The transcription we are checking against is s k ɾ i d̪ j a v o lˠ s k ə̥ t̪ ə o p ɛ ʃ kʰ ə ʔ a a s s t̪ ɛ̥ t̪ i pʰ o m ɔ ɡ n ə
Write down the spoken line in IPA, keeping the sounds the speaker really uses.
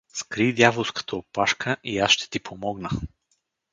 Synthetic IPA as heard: s k ɾ i d̪ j a v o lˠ s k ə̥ t̪ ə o p a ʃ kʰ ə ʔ i a s ʃ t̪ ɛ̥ t̪ i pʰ o m ɔ ɡ n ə

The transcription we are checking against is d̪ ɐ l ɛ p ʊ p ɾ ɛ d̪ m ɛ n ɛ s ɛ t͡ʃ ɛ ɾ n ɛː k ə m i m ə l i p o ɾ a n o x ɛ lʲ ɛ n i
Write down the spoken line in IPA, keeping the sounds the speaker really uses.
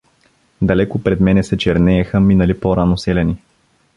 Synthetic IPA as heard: d̪ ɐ l ɛ k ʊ p ɾ ɛ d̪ m ɛ n ɛ s ɛ t͡ʃ ɛ ɾ n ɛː x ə m i n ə l i p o ɾ a n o s ɛ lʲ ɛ n i

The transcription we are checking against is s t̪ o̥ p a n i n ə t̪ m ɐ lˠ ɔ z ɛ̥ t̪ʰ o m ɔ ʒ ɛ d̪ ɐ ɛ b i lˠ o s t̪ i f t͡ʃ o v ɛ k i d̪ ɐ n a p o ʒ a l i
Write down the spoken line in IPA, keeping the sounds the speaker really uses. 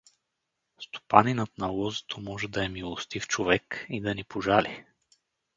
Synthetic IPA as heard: s t̪ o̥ p a n i n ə t̪ n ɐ lˠ ɔ z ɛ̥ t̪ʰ o m ɔ ʒ ɛ d̪ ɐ ɛ m i lˠ o s t̪ i f t͡ʃ o v ɛ k i d̪ ɐ n i p o ʒ a l i

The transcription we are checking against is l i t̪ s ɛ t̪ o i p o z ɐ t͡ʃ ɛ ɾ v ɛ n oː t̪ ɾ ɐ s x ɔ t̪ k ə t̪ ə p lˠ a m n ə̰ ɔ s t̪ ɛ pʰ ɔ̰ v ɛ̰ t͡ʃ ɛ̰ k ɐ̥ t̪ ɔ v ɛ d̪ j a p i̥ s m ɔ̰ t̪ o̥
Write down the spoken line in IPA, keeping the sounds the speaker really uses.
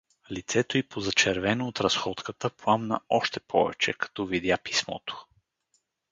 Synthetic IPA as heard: l i t̪ s ɛ t̪ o i p o z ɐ t͡ʃ ɛ ɾ v ɛ n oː t̪ ɾ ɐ s x ɔ t̪ k ə t̪ ə p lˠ a m n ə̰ ɔ ʃ t̪ ɛ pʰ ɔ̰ v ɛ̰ t͡ʃ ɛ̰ k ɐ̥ t̪ ɔ v i d̪ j a p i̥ s m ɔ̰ t̪ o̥

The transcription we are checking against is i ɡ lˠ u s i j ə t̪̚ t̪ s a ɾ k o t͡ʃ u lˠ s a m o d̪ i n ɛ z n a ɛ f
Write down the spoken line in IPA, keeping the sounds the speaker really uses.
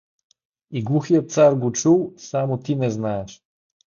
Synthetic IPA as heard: i ɡ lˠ u x i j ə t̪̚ t̪ s a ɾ ɡ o t͡ʃ u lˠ s a m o t̪ i n ɛ z n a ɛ ʃ

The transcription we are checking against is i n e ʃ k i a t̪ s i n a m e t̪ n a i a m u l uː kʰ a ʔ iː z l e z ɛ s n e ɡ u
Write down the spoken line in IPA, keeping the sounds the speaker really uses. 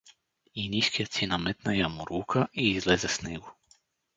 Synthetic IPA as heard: i n i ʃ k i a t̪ s i n a m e t̪ n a j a m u ɾ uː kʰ a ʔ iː z l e z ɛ s n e ɡ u

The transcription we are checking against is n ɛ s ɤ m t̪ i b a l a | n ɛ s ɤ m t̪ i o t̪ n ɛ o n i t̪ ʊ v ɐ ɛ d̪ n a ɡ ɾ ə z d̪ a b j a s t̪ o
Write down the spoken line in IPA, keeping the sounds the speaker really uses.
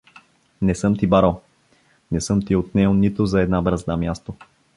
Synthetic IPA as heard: n ɛ s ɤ m t̪ i b a ɾ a | n ɛ s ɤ m t̪ i o t̪ n ɛ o n i t̪ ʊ z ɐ ɛ d̪ n a b ɾ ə z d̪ a m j a s t̪ o

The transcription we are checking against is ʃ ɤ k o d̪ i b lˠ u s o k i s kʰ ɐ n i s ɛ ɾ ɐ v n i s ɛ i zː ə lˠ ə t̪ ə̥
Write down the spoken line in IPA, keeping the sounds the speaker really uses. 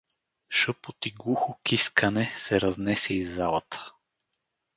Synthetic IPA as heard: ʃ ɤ p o t̪ i ɡ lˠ u x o k i s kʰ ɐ n ɛ s ɛ ɾ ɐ z n ɛ s ɛ i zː a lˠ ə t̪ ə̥

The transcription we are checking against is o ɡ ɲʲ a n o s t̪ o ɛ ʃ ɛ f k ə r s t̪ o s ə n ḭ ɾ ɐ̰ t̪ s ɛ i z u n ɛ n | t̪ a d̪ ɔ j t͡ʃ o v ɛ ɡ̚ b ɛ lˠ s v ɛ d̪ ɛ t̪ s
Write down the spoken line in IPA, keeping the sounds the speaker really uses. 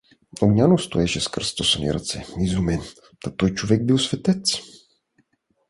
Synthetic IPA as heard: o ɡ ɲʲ a n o s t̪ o ɛ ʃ ɛ s k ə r s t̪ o s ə n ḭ ɾ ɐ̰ t̪ s ɛ i z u m ɛ n | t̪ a t̪ ɔ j t͡ʃ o v ɛ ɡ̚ b i lˠ s v ɛ t̪ ɛ t̪ s

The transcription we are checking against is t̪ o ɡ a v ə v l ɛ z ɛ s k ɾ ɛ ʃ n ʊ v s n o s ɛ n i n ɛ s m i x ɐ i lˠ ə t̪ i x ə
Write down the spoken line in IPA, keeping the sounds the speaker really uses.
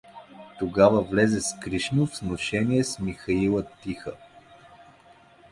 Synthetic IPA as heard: t̪ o ɡ a v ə v l ɛ z ɛ s k ɾ i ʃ n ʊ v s n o ʃ ɛ n i ɛ s m i x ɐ i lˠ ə t̪ i x ə

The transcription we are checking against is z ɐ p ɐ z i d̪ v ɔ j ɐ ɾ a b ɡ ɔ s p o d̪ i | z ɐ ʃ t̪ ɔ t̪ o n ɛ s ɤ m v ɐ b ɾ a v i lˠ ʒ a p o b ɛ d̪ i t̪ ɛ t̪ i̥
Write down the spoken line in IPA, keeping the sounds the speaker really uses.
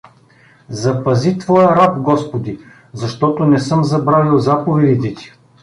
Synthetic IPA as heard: z ɐ p ɐ z i t̪ v ɔ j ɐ ɾ a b ɡ ɔ s p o d̪ i | z ɐ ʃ t̪ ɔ t̪ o n ɛ s ɤ m z ɐ b ɾ a v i lˠ z a p o v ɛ d̪ i t̪ ɛ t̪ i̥

